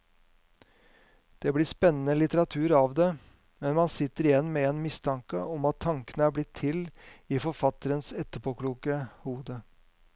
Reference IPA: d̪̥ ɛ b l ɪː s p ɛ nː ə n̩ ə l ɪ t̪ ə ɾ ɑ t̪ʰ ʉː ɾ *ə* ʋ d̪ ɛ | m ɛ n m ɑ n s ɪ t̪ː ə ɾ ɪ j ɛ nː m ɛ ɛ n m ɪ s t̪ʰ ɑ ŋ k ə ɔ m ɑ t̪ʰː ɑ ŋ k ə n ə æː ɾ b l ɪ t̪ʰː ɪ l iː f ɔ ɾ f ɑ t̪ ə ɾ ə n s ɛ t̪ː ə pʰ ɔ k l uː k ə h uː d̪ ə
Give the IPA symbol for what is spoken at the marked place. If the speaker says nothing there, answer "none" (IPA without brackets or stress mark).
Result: ɑ